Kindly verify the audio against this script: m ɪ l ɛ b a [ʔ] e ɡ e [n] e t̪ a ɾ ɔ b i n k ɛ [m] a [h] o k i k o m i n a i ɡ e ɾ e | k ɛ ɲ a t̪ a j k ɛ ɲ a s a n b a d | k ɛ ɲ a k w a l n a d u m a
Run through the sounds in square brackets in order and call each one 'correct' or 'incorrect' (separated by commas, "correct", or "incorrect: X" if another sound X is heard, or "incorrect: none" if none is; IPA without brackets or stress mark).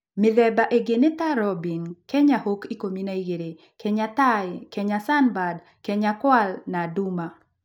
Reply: correct, correct, incorrect: ɲ, correct